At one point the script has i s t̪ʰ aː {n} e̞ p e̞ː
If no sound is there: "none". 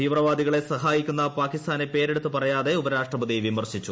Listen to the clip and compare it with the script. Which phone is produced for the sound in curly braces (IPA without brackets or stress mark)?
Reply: n